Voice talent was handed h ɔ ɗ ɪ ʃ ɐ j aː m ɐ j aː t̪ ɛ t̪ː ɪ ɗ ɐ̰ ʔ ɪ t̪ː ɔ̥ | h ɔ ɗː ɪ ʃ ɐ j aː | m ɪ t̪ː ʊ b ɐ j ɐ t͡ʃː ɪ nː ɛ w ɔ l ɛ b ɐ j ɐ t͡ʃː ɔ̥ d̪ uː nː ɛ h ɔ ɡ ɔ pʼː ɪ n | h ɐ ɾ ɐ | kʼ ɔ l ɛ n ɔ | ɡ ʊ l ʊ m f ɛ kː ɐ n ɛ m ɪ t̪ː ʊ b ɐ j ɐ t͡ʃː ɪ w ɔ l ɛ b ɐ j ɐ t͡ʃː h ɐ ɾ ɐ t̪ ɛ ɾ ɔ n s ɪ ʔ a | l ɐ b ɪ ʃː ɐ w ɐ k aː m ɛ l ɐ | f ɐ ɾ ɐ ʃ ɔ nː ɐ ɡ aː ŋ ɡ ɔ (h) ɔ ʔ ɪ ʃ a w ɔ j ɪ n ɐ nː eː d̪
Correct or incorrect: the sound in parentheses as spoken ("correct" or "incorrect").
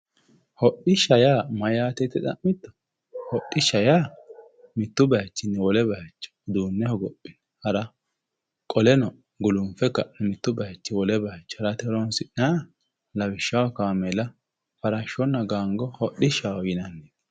correct